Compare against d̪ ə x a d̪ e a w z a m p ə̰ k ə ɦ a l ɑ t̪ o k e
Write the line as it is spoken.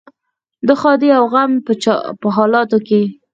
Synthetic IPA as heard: d̪ ə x ɑ d̪ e a w ɣ a m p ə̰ p ə ɦ ɑ l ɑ t̪ o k e